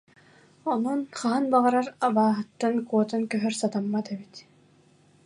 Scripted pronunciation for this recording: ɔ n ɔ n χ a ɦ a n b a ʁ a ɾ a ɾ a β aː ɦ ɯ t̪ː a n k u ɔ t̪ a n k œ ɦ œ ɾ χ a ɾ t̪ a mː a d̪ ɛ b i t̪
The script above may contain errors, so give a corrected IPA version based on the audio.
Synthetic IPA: ɔ n ɔ n χ a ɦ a n b a ʁ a ɾ a ɾ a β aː ɦ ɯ t̪ː a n k u ɔ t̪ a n k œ ɦ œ ɾ s a t̪ a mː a t̪ ɛ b i t̪